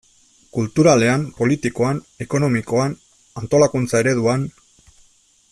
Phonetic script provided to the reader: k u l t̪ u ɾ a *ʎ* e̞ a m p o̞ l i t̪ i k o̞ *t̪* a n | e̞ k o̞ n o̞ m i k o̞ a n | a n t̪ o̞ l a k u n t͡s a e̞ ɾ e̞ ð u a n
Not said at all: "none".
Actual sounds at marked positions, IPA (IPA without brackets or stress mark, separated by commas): l, none